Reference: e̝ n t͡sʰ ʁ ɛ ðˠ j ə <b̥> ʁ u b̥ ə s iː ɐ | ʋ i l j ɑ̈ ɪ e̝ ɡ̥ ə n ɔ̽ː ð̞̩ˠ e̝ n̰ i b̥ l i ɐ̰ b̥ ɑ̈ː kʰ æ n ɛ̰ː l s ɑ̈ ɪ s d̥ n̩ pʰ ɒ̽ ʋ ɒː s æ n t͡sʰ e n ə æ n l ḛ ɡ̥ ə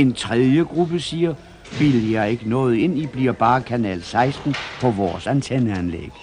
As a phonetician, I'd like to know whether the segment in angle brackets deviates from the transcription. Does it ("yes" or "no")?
yes